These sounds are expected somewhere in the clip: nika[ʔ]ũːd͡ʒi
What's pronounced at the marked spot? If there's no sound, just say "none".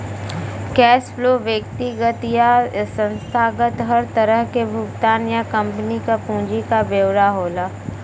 p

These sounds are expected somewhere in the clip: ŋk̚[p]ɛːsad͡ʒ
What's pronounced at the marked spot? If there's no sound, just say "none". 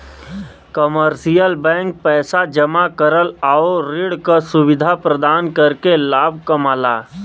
p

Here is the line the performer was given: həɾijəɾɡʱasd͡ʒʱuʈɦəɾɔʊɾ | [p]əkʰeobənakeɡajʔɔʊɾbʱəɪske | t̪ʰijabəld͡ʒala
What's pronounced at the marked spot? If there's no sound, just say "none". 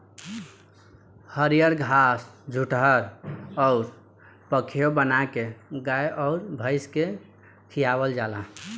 p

